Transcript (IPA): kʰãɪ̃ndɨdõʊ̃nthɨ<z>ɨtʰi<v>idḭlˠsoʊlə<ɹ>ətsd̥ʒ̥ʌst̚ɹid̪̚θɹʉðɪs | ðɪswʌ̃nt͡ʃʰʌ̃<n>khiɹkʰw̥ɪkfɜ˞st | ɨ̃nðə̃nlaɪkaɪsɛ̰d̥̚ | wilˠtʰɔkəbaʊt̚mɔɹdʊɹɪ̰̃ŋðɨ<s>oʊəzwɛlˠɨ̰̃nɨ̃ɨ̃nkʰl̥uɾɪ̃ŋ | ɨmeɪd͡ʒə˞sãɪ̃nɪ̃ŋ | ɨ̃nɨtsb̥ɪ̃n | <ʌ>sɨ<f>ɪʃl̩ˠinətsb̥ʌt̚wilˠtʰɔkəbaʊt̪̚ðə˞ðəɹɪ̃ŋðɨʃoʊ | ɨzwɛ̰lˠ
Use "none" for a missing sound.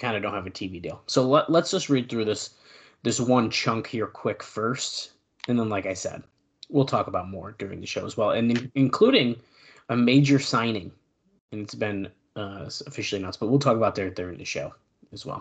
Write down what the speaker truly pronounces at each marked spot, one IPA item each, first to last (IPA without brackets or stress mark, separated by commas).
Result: v, v, l, ŋ, ʃ, ʌ, f